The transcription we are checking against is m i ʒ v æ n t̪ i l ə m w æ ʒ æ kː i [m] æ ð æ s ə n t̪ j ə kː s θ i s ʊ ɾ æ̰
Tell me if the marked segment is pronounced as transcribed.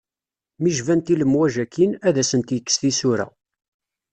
no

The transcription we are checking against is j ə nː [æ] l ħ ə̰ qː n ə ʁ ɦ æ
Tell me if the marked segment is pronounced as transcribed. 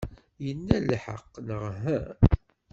yes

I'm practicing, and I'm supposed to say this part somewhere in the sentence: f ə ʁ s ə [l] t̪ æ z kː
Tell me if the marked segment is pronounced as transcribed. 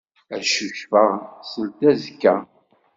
yes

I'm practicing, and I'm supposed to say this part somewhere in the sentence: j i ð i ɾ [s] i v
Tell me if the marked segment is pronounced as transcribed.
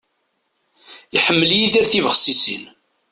no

